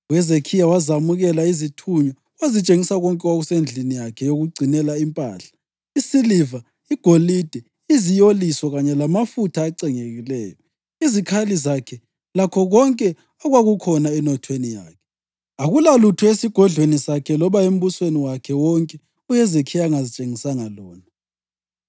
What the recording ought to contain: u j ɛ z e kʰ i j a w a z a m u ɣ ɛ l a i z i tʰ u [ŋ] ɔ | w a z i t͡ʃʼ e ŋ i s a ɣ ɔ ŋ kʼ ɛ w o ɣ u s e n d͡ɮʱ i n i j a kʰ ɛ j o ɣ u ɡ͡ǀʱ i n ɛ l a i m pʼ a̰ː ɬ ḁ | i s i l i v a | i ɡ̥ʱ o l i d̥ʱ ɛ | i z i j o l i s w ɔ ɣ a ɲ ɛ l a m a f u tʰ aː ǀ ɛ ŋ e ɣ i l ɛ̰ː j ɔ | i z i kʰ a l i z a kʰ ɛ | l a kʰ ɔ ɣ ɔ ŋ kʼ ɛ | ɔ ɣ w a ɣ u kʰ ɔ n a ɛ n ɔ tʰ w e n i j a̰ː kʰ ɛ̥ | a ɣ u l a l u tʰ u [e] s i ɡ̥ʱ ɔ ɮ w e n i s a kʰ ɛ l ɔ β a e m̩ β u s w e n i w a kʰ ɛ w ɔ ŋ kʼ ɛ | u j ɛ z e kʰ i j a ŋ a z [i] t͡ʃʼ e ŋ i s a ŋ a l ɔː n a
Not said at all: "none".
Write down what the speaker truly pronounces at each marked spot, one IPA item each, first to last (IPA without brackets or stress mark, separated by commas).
ɲ, e, i